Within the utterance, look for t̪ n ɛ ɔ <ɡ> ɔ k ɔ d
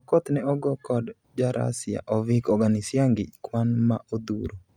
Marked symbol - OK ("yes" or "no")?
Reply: yes